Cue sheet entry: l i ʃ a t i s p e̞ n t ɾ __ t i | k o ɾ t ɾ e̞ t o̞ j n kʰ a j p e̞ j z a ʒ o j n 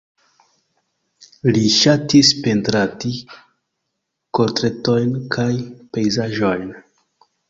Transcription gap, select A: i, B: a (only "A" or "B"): B